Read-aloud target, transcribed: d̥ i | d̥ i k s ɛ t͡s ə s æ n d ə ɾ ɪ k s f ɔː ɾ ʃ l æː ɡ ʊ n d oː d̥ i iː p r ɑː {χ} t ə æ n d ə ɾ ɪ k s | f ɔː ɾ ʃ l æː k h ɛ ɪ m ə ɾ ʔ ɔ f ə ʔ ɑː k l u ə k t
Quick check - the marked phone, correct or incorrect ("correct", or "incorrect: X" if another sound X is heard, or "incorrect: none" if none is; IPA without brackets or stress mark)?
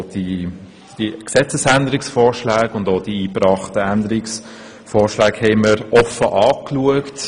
correct